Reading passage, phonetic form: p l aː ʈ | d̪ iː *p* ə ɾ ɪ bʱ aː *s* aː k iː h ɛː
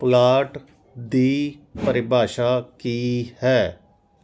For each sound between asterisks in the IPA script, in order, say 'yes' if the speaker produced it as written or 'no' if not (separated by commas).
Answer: yes, no